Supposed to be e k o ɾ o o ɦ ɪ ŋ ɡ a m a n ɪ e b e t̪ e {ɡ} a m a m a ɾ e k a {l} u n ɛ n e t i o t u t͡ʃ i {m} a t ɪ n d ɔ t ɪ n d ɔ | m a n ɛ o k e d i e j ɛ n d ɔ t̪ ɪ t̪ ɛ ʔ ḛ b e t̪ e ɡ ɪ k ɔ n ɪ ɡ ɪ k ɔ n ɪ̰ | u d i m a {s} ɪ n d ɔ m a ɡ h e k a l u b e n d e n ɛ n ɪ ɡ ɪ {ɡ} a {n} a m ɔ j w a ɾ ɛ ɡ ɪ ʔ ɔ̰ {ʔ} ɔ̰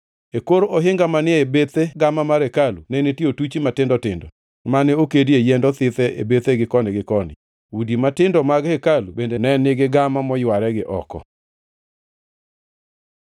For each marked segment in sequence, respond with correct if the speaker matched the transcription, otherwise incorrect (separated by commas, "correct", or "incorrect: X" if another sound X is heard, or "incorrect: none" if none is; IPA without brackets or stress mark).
correct, correct, correct, incorrect: t, correct, incorrect: m, incorrect: k